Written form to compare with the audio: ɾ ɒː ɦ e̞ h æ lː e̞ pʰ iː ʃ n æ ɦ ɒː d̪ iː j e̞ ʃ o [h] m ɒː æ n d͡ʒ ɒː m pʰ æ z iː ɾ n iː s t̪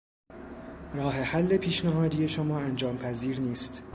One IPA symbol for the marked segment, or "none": none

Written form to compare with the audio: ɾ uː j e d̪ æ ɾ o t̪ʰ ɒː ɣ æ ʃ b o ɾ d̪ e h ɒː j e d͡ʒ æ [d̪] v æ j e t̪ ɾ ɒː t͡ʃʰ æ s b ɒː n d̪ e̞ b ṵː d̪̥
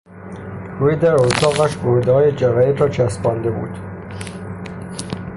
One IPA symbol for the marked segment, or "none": none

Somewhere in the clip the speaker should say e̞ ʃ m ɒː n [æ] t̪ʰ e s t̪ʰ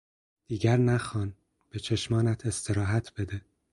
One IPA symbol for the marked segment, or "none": æ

